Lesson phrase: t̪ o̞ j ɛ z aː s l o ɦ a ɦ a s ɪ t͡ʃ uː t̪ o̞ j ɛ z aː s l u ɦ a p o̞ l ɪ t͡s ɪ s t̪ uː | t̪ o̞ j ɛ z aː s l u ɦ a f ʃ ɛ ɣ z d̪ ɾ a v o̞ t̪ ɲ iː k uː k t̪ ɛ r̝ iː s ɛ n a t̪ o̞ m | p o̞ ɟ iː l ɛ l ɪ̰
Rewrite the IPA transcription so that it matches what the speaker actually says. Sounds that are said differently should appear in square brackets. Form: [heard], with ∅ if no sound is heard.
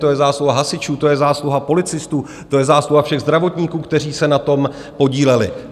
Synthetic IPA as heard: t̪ o̞ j ɛ z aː s l [u] ɦ a ɦ a s ɪ t͡ʃ uː t̪ o̞ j ɛ z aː s l u ɦ a p o̞ l ɪ t͡s ɪ s t̪ uː | t̪ o̞ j ɛ z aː s l u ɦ a f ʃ ɛ ɣ z d̪ ɾ a v o̞ t̪ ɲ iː k uː k t̪ ɛ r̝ iː s ɛ n a t̪ o̞ m | p o̞ ɟ iː l ɛ l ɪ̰